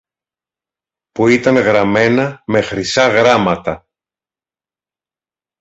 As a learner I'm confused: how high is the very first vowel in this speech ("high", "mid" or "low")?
high